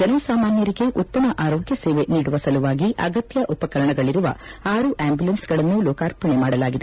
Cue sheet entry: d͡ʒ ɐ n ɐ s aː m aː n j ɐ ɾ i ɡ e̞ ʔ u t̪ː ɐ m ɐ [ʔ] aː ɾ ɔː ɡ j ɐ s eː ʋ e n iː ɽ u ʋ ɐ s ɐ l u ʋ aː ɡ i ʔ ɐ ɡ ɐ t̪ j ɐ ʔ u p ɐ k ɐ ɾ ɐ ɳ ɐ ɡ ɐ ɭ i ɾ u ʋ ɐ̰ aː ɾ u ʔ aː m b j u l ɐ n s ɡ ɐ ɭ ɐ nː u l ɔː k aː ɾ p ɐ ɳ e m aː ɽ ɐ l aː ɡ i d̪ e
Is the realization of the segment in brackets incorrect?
no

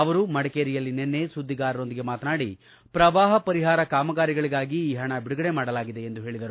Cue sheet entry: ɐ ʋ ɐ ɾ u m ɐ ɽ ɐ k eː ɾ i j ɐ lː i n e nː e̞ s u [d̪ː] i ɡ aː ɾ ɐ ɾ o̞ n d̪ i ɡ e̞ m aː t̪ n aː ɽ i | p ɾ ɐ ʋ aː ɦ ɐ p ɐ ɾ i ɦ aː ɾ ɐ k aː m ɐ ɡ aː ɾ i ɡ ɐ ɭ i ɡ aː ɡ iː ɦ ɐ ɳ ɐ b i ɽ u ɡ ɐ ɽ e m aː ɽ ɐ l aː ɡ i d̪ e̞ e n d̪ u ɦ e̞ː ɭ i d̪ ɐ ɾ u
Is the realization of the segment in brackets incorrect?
no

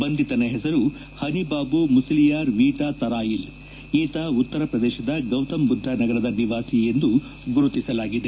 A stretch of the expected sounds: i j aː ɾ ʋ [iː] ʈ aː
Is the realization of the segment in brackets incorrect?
no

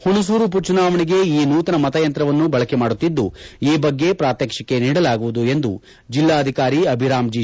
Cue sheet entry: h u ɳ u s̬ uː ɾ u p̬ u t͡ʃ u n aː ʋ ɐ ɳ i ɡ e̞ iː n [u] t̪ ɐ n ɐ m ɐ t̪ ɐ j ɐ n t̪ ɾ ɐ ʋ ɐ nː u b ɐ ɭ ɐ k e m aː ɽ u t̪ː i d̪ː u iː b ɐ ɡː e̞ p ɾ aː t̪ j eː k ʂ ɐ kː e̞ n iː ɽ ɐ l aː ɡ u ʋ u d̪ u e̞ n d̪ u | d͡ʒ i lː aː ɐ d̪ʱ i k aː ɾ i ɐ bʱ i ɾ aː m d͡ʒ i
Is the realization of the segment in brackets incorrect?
yes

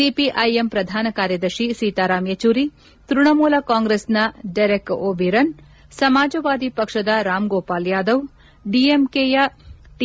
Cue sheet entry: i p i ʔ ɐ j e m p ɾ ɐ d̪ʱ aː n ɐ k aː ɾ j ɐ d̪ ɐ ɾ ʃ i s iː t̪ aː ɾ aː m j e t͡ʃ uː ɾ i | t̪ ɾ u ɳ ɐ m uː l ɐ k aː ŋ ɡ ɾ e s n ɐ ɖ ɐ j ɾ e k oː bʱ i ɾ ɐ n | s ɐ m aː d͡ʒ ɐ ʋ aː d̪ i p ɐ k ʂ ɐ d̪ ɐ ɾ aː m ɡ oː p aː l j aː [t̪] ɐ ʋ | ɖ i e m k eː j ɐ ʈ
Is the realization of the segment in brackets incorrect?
yes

